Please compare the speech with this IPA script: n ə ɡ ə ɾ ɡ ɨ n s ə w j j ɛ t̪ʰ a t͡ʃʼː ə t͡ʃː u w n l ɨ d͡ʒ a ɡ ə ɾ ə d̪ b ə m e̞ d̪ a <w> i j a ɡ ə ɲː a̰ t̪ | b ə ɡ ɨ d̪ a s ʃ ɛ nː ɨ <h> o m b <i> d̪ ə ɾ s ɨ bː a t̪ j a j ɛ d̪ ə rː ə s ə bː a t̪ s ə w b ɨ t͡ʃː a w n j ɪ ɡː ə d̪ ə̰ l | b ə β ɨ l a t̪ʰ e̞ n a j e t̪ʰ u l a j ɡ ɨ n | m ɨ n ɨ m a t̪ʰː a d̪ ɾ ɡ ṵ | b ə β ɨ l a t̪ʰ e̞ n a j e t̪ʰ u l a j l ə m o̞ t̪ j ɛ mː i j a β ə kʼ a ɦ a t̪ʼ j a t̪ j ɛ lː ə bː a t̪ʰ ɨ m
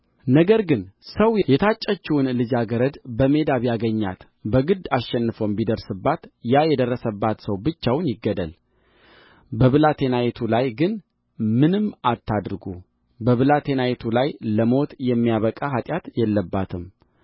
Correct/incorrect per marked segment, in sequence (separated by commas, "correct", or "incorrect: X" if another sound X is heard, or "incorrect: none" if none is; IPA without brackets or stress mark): incorrect: β, incorrect: f, correct